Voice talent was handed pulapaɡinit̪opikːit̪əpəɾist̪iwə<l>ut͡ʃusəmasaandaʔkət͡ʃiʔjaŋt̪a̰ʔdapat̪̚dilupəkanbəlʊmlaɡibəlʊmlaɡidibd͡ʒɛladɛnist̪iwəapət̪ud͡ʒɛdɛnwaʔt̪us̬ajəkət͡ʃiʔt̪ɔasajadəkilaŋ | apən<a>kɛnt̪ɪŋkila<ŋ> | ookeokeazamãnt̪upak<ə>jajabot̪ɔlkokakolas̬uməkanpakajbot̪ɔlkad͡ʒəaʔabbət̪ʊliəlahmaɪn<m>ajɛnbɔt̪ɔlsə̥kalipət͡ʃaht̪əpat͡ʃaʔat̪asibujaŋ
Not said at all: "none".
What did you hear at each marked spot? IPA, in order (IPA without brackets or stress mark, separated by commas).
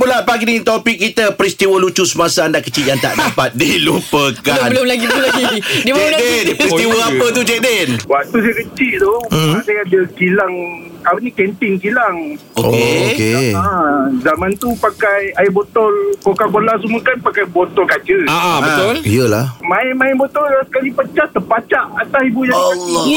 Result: l, i, ŋ, a, m